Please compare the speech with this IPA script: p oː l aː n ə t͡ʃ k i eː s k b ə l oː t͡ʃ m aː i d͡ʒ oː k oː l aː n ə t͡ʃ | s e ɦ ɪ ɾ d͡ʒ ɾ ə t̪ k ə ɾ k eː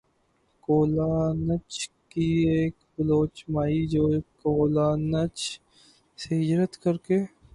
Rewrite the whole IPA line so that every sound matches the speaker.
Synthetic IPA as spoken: k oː l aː n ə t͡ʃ k i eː k b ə l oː t͡ʃ m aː i d͡ʒ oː k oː l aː n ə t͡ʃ | s e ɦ ɪ d͡ʒ ɾ ə t̪ k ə ɾ k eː

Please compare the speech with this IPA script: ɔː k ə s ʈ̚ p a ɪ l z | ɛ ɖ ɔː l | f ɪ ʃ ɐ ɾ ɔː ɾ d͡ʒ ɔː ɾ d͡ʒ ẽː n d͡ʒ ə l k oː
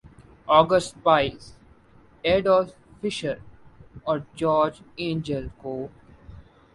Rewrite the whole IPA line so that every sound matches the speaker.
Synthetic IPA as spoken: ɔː ɡ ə s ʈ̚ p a ɪ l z | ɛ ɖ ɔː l | f ɪ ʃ ə ɾ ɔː ɾ d͡ʒ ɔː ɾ d͡ʒ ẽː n d͡ʒ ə l k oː

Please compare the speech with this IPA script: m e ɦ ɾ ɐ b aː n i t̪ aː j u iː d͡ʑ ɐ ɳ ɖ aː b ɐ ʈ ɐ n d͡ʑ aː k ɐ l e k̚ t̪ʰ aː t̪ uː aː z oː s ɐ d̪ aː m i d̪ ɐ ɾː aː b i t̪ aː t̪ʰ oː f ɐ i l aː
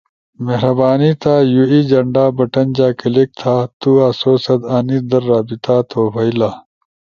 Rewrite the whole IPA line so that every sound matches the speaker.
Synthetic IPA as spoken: m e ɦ ɾ ɐ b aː n i t̪ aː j u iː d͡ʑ ɐ ɳ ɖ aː b ɐ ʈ ɐ n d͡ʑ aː k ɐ l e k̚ t̪ʰ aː t̪ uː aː s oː s ɐ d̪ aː n i d̪ ɐ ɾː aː b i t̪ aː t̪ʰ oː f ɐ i l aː

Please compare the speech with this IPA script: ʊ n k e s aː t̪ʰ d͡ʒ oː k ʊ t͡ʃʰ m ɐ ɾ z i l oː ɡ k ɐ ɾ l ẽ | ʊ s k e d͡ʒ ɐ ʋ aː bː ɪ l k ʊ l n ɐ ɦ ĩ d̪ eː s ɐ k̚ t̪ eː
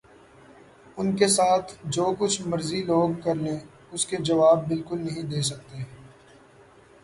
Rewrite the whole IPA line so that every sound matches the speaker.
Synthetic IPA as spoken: ʊ n k e s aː t̪ʰ d͡ʒ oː k ʊ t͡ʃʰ m ɐ ɾ z i l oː ɡ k ɐ ɾ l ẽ | ʊ s k e d͡ʒ ɐ ʋ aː bː ɪ l k ʊ l n ɐ ɦ ĩ d̪ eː s ɐ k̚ t̪ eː

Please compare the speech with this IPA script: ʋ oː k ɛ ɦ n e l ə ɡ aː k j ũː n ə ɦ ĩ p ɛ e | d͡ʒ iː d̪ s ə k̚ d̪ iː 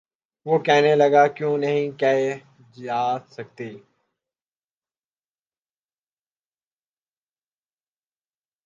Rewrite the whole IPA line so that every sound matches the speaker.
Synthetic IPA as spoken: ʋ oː k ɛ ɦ n e l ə ɡ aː k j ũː n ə ɦ ĩ k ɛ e | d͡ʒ aː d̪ s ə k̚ t̪ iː

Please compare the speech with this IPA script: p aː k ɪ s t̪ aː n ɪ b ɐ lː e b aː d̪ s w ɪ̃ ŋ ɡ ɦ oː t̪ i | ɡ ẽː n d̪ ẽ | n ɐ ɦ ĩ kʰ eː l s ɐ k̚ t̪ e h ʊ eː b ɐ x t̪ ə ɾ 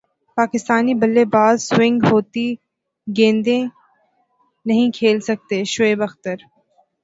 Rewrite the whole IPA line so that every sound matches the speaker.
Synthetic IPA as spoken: p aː k ɪ s t̪ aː n i b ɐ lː e b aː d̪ s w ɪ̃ ŋ ɡ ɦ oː t̪ i | ɡ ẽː n d̪ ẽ | n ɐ ɦ ĩ kʰ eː l s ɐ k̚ t̪ e ʃ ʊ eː b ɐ x t̪ ə ɾ

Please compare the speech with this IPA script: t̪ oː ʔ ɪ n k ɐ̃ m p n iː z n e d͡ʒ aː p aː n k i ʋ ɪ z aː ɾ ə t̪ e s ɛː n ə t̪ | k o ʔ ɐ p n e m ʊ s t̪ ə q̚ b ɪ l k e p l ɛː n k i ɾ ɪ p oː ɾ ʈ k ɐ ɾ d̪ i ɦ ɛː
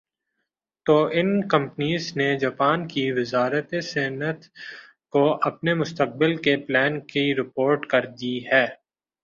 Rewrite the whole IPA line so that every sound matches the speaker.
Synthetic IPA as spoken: t̪ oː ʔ ɪ n k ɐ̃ m p n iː z n e d͡ʒ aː p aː n k i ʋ ɪ z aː ɾ ə t̪ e s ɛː n ə t̪ | k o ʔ ɐ p n e m ʊ s t̪ ə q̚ b ɪ l k e p l ɛː n k i ɾ ɪ p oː ɾ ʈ k ɐ ɾ d̪ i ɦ ɛː

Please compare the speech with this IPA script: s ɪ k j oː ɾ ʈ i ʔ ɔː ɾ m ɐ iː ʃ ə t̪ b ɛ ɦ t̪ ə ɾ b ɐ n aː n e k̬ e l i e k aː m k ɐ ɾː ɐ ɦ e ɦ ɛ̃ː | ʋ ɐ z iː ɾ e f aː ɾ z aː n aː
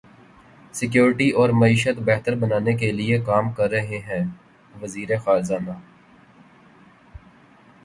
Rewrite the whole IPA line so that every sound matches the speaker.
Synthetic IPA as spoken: s ɪ k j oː ɾ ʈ i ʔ ɔː ɾ m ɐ iː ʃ ə t̪ b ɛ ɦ t̪ ə ɾ b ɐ n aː n e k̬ e l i e k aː m k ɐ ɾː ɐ ɦ e ɦ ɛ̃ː | ʋ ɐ z iː ɾ e x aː ɾ z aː n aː

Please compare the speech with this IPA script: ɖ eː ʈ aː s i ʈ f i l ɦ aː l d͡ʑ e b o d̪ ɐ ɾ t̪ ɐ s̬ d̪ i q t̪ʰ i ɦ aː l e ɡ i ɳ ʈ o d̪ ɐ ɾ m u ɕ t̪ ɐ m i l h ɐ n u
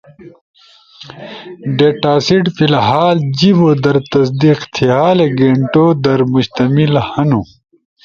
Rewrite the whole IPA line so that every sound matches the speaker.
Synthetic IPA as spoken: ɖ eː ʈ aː s i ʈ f i l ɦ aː l d͡ʑ i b o d̪ ɐ ɾ t̪ ɐ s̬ d̪ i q t̪ʰ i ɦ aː l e ɡ e ɳ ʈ o d̪ ɐ ɾ m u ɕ t̪ ɐ m i l h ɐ n u

